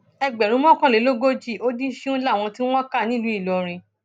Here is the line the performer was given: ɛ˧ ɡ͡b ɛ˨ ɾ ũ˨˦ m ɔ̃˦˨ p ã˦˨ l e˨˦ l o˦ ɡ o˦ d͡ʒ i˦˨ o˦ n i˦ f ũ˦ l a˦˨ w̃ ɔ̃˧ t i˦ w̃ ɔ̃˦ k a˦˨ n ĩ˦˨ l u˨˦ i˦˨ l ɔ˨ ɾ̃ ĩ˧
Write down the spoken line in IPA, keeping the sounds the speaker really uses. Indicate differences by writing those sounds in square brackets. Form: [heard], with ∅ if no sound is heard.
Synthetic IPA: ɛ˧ ɡ͡b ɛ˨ ɾ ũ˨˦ m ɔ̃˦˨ [k] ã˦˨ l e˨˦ l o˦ ɡ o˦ d͡ʒ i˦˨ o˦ [d] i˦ [ʃ] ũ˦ l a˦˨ w̃ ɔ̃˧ t i˦ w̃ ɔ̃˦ k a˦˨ n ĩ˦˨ l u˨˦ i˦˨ l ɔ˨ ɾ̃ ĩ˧